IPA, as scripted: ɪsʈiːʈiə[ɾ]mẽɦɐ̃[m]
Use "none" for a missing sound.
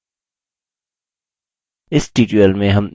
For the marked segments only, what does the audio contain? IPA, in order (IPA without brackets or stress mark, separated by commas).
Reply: l, m